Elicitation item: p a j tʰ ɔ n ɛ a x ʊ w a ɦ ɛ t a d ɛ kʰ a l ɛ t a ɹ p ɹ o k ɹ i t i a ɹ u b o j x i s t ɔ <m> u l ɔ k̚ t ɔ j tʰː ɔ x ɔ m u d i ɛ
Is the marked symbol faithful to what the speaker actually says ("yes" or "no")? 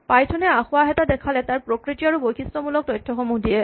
yes